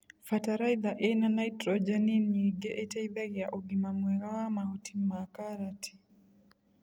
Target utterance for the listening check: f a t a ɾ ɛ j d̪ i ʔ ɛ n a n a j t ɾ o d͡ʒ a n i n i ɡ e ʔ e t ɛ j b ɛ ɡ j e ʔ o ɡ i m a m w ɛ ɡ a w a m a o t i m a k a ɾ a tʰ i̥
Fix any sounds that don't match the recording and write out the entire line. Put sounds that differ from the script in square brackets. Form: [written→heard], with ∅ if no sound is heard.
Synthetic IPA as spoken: f a t a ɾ [ɛ→a] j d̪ [i→a] ʔ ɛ n a n a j t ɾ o d͡ʒ a n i n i ɡ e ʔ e t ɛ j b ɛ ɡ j [e→a] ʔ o ɡ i m a m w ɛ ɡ a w a m a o t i m a k a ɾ a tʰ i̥